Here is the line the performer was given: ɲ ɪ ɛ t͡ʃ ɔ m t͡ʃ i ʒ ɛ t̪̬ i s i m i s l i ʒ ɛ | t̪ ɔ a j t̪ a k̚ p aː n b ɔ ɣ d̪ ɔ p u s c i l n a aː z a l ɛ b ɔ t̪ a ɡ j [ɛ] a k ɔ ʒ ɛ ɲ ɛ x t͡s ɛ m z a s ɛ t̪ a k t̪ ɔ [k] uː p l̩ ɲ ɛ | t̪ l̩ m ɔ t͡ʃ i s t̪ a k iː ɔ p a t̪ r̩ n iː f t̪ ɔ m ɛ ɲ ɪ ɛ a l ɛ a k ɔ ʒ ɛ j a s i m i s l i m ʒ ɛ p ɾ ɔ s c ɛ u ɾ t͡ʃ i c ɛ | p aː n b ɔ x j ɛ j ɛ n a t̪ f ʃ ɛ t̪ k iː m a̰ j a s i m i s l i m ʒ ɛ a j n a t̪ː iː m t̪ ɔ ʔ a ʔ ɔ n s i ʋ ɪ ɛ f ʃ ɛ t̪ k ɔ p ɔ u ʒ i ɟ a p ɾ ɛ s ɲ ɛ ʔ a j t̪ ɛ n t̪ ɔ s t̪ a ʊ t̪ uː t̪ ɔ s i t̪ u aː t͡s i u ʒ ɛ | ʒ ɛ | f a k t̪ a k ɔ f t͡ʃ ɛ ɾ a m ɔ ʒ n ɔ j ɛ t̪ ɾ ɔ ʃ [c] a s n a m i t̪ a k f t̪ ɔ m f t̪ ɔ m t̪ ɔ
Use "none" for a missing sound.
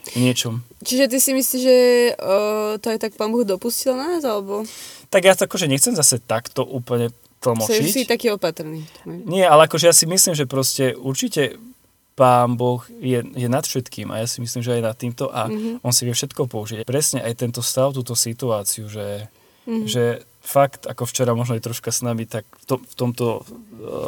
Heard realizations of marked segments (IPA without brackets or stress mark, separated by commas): a, ʔ, k